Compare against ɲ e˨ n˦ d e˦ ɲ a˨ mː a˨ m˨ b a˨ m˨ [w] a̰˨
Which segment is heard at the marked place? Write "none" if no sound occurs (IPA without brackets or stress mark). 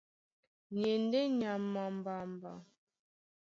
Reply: b